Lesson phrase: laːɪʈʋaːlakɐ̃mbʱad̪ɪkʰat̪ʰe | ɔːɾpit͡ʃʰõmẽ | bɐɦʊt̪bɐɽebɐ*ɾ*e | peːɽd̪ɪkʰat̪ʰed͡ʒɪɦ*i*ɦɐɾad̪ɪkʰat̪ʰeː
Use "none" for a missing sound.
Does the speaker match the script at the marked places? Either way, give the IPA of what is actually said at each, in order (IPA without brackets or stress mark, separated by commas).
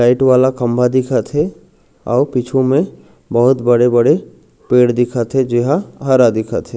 ɽ, a